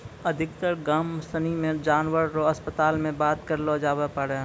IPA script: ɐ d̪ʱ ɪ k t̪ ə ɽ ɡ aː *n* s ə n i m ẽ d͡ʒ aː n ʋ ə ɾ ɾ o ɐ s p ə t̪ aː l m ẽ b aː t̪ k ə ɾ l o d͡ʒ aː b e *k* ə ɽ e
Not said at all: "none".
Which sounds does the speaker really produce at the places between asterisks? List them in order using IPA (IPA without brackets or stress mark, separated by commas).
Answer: m, p